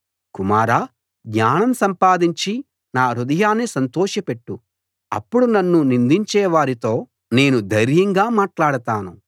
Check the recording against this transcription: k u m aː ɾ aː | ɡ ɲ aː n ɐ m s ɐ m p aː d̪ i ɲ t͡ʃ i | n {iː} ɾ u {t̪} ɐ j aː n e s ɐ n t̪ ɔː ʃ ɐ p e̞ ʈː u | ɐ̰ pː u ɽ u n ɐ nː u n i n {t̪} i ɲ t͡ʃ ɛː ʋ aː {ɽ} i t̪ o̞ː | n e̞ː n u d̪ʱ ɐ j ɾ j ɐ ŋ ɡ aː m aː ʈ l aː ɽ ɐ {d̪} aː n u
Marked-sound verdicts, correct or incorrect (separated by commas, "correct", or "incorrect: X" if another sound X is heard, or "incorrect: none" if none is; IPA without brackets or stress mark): incorrect: aː, incorrect: d̪, incorrect: d̪, incorrect: ɾ, incorrect: t̪